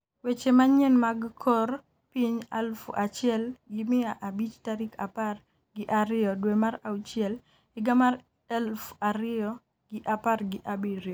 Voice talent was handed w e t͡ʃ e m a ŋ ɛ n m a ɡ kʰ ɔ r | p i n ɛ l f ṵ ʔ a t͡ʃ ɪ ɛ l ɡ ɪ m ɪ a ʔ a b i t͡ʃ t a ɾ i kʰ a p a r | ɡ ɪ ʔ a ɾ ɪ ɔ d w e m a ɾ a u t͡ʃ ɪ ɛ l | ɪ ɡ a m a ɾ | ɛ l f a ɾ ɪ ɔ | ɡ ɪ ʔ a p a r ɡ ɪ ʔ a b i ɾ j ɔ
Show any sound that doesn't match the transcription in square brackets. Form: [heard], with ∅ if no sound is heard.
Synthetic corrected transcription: w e t͡ʃ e m a [ɲ] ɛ n m a ɡ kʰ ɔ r | p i [ɲ] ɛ l f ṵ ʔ a t͡ʃ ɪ ɛ l ɡ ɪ m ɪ a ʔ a b i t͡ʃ t a ɾ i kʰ a p a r | ɡ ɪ ʔ a ɾ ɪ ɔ d w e m a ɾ a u t͡ʃ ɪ ɛ l | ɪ ɡ a m a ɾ | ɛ l f a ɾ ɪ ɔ | ɡ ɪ ʔ a p a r ɡ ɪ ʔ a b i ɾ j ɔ